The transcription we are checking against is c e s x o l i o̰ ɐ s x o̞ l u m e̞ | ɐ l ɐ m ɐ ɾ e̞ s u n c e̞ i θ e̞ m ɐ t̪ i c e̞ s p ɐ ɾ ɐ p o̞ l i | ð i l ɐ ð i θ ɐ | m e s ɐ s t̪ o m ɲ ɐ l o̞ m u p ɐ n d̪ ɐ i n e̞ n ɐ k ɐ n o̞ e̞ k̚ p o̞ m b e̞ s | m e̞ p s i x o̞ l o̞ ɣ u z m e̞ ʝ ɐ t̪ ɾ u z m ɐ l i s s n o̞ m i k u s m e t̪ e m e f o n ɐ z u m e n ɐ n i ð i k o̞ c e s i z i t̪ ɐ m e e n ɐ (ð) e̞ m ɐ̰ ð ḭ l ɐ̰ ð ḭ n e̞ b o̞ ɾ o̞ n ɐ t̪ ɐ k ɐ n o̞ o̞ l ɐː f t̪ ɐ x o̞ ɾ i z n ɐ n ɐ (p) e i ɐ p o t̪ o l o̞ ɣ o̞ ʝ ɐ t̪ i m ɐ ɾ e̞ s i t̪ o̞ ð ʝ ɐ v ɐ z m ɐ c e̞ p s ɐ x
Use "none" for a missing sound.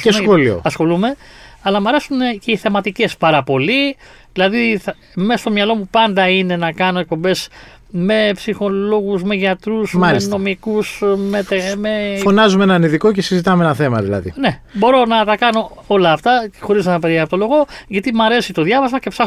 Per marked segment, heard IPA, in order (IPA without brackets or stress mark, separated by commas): θ, p